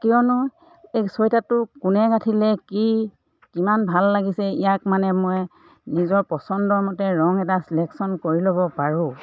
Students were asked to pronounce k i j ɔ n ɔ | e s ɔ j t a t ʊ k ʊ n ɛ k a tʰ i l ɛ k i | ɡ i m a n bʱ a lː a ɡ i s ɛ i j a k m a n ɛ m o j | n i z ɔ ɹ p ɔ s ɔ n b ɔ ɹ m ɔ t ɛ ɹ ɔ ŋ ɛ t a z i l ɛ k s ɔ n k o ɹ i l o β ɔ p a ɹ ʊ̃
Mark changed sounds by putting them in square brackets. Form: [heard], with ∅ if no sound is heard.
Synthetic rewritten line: k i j ɔ n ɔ | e s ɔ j t a t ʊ k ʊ n ɛ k a tʰ i l ɛ k i | [k] i m a n bʱ a lː a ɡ i s ɛ i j a k m a n ɛ m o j | n i z ɔ ɹ p ɔ s ɔ n [d] ɔ ɹ m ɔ t ɛ ɹ ɔ ŋ ɛ t a [s] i l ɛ k s ɔ n k o ɹ i l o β ɔ p a ɹ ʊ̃